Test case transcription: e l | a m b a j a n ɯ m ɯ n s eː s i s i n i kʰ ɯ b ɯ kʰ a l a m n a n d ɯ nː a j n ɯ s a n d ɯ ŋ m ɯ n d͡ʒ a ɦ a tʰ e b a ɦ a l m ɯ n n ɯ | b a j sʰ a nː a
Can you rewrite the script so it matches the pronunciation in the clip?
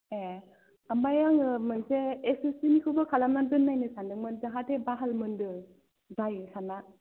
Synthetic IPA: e | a m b a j a ŋ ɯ m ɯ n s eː s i s i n i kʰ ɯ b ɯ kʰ a l a m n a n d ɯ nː a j n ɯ s a n d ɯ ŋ m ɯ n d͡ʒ a ɦ a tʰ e b a ɦ a l m ɯ n d ɯ | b a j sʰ a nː a